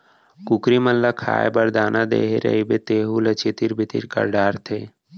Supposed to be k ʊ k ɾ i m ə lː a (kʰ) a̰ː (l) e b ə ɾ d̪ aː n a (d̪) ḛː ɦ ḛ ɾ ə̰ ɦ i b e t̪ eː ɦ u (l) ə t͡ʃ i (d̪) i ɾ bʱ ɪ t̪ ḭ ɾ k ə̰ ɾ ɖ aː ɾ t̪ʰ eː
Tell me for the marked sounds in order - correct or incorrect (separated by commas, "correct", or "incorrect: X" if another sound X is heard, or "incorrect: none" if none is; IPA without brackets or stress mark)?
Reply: correct, incorrect: none, correct, correct, incorrect: t̪